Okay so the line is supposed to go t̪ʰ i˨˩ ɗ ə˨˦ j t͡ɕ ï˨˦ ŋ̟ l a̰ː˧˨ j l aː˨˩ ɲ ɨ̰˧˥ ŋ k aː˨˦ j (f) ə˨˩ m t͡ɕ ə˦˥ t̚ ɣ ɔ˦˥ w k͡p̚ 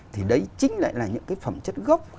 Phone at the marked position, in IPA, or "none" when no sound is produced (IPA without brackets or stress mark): f